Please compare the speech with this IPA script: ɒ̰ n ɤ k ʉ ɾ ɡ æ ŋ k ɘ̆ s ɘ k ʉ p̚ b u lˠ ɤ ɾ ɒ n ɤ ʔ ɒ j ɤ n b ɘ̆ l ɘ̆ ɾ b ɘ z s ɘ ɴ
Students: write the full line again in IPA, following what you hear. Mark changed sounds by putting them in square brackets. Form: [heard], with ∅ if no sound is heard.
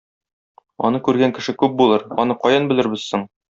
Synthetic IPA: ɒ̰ n ɤ k ʉ ɾ ɡ æ ŋ k ɘ̆ [ʃ] ɘ k ʉ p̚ b u lˠ ɤ ɾ ɒ n ɤ [q] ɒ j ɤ n b ɘ̆ l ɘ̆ ɾ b ɘ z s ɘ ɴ